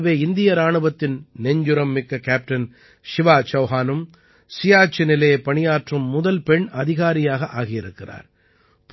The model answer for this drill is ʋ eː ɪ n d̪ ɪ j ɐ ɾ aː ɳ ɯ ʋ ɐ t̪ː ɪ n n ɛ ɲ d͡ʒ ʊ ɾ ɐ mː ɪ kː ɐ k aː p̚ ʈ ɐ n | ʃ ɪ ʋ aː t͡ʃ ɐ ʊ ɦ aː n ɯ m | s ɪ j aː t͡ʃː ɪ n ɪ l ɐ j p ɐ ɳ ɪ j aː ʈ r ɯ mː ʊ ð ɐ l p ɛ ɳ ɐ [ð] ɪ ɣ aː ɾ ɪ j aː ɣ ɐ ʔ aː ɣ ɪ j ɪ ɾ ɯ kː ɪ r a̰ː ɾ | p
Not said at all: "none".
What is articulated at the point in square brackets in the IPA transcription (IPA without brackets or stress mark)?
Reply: ð